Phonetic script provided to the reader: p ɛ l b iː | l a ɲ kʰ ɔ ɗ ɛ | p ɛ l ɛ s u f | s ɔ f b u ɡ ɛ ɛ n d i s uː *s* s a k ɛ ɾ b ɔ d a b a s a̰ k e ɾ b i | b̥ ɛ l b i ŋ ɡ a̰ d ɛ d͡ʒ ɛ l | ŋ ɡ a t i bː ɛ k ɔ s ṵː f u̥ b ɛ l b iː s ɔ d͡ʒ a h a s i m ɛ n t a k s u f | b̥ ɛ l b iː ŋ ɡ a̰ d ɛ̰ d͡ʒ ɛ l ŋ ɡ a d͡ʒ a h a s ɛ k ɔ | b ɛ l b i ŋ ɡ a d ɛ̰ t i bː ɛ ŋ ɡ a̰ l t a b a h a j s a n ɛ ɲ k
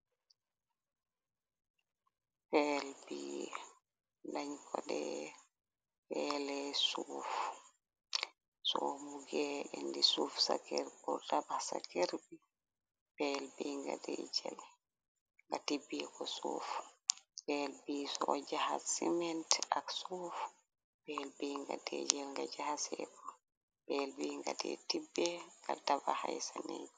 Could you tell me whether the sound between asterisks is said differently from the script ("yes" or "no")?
yes